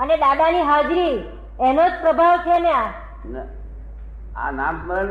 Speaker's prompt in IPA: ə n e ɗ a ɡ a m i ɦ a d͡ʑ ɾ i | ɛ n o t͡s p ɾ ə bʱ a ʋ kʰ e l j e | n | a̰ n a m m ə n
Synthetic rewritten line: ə n e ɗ a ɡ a n i ɦ a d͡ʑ ɾ i | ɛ n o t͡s p ɾ ə bʱ a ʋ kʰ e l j a | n | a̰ n a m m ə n